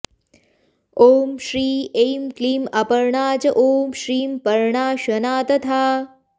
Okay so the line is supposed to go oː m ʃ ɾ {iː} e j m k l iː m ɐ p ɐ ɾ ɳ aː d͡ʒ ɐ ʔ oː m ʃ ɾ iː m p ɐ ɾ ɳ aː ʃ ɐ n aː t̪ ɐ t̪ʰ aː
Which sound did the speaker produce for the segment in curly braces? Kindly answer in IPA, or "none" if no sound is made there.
iː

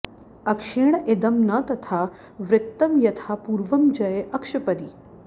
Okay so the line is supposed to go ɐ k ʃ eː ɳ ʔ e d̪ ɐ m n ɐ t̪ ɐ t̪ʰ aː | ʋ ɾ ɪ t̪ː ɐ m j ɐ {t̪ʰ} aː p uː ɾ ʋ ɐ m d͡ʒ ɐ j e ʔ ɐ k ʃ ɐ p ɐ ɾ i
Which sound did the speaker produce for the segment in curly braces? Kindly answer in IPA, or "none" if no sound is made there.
t̪ʰ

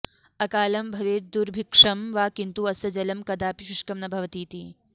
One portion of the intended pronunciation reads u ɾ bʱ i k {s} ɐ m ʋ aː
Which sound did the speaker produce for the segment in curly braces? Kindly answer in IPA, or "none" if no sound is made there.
ʂ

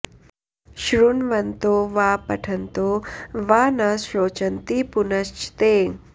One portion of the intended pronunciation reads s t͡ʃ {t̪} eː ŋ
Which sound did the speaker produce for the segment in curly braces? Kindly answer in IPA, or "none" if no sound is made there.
t̪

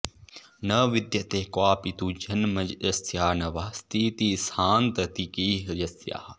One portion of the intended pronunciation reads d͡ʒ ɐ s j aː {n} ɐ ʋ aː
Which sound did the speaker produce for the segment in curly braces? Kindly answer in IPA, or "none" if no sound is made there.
n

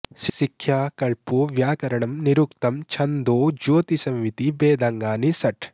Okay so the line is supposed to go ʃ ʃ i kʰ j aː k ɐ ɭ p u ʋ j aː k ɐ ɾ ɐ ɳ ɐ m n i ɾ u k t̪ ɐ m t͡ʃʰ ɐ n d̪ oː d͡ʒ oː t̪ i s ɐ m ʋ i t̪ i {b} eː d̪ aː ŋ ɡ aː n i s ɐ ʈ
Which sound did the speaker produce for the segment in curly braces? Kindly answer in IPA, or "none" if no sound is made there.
b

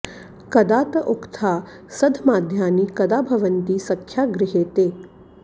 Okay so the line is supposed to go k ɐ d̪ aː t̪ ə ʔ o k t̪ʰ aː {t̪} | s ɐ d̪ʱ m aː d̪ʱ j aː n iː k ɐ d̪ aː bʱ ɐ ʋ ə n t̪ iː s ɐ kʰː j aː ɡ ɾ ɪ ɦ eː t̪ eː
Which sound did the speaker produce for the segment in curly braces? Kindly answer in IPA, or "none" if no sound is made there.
none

